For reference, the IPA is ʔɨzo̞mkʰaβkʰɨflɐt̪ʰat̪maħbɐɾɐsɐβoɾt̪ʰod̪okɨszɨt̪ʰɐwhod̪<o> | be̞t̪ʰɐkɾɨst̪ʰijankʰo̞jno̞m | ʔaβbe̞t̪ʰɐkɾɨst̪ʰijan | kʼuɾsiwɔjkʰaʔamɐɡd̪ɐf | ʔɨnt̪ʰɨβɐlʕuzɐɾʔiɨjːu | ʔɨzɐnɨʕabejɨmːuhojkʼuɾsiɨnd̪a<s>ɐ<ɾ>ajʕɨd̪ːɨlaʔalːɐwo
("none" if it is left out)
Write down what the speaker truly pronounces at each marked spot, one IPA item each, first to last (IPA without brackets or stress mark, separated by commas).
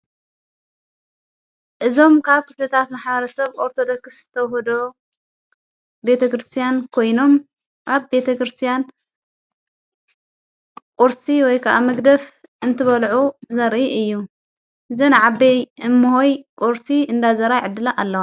o, z, ɾ